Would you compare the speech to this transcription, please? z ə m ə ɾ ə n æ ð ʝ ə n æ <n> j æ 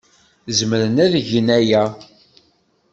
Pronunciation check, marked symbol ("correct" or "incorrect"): incorrect